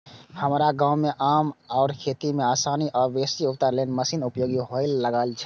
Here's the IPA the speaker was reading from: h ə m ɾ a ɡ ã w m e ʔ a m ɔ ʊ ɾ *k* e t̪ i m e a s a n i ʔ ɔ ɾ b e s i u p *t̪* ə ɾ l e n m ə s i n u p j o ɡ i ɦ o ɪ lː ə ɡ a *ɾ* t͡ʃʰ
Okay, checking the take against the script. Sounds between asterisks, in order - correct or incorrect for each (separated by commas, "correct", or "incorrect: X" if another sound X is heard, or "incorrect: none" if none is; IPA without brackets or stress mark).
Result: incorrect: kʰ, correct, incorrect: l